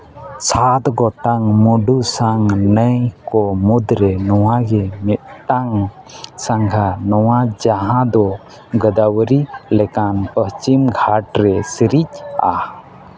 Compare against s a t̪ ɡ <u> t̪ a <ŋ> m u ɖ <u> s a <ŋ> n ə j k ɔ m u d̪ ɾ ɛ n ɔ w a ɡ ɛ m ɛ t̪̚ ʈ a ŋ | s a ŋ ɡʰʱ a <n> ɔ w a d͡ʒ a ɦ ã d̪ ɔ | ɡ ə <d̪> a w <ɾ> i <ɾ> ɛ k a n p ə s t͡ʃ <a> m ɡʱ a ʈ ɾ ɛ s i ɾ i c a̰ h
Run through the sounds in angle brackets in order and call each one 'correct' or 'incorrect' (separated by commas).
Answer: incorrect, correct, correct, correct, correct, correct, correct, incorrect, incorrect